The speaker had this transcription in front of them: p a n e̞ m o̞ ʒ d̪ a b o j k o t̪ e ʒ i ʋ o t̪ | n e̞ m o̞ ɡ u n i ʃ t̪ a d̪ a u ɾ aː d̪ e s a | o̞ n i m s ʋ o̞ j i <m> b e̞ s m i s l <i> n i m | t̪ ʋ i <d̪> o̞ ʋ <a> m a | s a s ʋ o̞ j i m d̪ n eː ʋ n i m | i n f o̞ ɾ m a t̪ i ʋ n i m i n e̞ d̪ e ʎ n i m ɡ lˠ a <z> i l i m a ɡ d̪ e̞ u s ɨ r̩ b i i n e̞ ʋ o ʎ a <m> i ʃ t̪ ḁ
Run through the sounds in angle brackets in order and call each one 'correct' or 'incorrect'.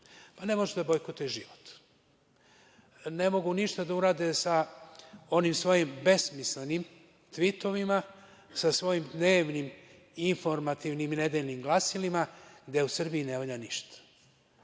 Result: correct, incorrect: e, incorrect: t̪, incorrect: i, incorrect: s, incorrect: n

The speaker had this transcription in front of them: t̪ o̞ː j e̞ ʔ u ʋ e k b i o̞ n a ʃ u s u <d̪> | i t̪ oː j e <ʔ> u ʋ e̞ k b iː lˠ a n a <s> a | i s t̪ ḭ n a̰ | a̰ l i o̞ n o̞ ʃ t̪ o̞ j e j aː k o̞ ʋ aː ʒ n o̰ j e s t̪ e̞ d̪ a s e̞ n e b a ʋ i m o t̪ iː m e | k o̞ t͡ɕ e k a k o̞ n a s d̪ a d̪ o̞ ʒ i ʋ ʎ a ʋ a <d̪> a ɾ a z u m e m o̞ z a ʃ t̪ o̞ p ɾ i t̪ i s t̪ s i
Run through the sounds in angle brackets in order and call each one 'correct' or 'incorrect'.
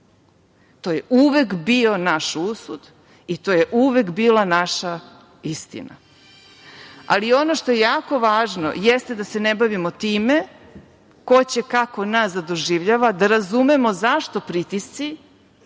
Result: correct, correct, incorrect: ʃ, correct

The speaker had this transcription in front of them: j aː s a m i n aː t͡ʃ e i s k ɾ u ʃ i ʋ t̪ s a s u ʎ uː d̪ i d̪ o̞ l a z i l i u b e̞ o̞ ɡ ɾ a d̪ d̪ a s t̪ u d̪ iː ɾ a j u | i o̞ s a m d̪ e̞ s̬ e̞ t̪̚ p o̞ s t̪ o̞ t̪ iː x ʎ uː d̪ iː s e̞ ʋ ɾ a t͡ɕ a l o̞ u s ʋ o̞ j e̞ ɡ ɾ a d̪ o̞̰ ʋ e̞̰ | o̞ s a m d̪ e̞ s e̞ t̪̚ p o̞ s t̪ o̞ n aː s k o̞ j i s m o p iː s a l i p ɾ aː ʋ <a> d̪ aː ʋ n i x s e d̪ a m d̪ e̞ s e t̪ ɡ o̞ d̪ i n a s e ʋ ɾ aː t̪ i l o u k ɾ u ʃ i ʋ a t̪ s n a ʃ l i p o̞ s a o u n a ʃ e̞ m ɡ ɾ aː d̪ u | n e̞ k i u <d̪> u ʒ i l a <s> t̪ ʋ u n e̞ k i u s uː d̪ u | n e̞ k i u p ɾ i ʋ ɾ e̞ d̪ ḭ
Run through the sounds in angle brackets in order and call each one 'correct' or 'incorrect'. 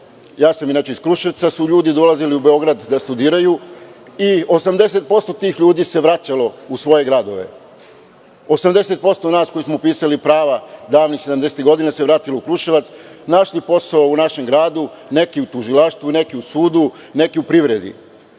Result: correct, incorrect: t̪, incorrect: ʃ

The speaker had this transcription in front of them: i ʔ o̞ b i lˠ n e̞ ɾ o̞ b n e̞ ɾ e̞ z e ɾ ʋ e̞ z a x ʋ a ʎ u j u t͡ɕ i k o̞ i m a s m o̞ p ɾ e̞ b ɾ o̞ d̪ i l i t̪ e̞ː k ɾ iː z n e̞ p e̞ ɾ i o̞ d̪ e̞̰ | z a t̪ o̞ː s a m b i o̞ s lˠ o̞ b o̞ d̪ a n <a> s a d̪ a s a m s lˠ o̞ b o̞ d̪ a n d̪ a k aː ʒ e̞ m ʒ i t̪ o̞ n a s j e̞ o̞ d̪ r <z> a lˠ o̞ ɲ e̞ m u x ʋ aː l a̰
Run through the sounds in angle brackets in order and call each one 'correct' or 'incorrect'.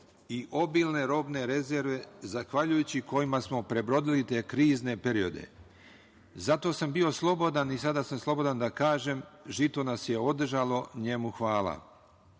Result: incorrect: i, incorrect: ʒ

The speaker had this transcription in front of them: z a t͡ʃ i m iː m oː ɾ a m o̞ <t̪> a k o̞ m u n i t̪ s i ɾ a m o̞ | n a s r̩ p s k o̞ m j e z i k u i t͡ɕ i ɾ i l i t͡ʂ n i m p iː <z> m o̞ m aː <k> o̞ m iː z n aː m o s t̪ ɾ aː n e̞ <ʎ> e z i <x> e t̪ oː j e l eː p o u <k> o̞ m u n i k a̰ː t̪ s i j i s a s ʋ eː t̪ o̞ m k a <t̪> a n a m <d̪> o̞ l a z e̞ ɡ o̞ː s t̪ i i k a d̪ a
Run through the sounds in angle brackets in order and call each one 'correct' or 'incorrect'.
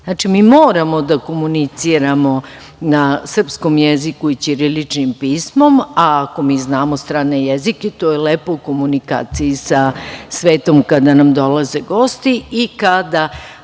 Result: incorrect: d̪, incorrect: s, correct, incorrect: j, incorrect: k, correct, incorrect: d̪, correct

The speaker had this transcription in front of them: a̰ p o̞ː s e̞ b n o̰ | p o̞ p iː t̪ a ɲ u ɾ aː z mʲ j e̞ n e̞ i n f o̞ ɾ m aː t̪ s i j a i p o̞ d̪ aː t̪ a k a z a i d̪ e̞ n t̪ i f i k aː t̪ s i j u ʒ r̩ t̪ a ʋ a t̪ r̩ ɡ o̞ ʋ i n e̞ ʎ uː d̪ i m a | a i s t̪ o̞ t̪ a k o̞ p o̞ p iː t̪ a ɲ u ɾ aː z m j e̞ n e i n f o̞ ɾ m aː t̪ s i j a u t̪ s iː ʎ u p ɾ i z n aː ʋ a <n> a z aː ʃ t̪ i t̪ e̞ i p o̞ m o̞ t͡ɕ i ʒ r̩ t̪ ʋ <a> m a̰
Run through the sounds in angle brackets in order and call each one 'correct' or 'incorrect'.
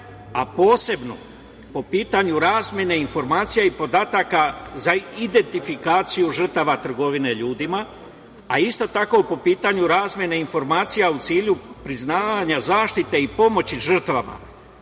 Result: incorrect: ɲ, correct

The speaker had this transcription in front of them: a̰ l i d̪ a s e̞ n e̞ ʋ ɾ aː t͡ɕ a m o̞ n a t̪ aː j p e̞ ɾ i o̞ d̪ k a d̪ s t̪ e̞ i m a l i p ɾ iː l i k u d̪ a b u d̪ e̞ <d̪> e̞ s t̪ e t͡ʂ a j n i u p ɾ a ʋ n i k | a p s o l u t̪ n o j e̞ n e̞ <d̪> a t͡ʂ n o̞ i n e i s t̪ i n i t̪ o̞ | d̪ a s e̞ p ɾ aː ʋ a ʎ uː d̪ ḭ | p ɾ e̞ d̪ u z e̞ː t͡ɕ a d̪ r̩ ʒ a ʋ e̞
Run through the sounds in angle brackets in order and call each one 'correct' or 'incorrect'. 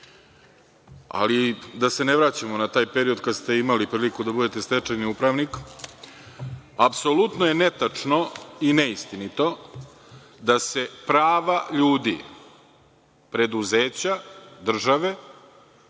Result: incorrect: t̪, incorrect: t̪

